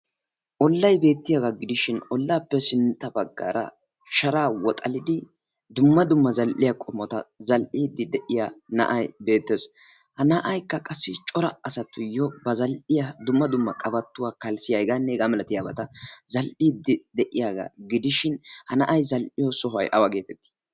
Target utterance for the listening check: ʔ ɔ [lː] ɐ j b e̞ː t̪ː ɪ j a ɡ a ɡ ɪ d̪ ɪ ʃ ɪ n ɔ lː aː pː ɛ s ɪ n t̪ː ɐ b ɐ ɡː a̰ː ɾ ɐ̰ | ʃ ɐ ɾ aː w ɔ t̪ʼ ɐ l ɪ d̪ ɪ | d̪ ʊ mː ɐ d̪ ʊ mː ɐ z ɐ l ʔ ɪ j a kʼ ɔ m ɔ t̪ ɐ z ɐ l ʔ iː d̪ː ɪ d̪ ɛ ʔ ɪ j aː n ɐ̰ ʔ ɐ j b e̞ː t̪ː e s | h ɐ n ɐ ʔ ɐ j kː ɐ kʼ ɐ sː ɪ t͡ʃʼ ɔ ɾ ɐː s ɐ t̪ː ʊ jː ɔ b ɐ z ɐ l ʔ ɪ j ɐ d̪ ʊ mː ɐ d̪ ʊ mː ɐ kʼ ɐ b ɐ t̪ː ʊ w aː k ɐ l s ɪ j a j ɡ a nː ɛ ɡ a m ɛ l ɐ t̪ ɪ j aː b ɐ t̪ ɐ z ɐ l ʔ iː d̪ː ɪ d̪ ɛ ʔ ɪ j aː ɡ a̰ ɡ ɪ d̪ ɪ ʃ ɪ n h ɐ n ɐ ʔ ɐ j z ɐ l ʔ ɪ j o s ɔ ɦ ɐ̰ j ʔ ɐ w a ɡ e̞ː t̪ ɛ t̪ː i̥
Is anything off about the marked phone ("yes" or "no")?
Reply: no